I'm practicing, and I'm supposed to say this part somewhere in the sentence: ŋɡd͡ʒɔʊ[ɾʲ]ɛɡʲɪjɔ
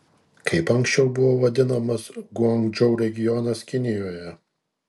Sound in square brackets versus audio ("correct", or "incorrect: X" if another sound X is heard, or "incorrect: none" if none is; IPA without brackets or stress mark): correct